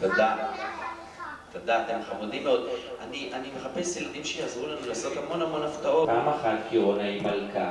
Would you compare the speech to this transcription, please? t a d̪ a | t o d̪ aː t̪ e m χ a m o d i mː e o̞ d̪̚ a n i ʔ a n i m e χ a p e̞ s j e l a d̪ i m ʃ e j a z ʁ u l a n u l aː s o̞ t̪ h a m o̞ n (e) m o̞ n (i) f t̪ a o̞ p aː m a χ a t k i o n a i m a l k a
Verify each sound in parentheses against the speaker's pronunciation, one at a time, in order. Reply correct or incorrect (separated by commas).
incorrect, incorrect